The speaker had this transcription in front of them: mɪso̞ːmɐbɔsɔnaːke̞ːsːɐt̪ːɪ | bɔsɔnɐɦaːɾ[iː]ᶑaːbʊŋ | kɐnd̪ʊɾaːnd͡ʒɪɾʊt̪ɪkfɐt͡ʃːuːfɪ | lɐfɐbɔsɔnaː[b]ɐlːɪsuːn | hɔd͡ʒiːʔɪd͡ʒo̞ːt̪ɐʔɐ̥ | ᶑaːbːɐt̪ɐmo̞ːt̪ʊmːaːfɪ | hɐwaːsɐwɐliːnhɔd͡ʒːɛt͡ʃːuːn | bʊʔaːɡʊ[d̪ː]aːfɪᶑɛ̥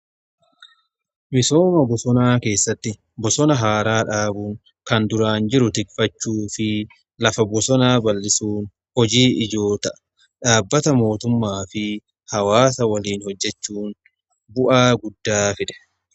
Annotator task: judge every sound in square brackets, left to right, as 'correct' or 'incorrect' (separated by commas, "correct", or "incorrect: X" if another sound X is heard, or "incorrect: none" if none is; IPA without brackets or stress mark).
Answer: incorrect: aː, correct, correct